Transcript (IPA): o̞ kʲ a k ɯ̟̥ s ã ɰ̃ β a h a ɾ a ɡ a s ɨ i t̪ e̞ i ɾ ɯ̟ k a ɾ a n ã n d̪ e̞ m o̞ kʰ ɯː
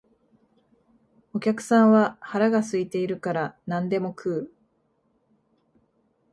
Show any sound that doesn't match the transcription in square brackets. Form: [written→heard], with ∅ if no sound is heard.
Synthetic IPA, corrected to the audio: o̞ kʲ a k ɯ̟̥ s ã ɰ̃ β a h a ɾ a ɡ a s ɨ i t̪ e̞ i ɾ ɯ̟ k a ɾ a n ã n d̪ e̞ m o̞ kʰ ɯː